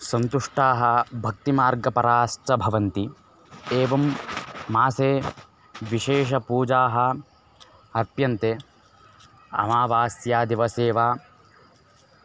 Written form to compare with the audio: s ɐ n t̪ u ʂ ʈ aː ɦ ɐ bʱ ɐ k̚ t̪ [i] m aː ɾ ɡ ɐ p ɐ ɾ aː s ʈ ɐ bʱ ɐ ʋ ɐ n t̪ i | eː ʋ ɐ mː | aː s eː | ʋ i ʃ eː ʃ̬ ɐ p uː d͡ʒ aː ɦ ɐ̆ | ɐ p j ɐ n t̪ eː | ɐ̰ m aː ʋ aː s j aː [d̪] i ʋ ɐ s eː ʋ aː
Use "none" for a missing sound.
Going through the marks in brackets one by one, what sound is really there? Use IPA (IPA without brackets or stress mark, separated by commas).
i, d̪